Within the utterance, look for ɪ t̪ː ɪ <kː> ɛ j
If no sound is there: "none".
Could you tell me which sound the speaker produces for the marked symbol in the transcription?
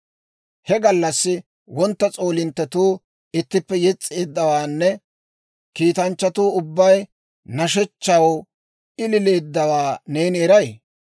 pː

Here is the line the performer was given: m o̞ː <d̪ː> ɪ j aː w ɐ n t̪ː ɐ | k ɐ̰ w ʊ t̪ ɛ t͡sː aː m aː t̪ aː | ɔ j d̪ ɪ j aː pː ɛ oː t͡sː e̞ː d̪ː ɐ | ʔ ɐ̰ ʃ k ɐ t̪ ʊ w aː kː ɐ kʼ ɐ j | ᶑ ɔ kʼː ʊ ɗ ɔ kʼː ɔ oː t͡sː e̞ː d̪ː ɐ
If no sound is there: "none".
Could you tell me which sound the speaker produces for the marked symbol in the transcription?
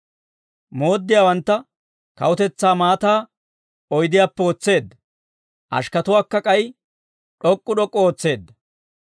d̪ː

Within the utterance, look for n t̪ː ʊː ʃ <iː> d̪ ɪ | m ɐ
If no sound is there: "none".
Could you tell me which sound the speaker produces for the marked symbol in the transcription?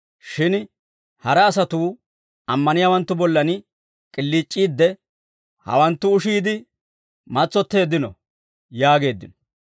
iː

